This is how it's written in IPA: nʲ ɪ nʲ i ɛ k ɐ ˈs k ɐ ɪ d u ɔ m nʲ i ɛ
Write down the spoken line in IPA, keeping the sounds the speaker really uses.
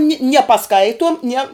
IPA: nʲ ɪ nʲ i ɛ p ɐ ˈs k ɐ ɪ t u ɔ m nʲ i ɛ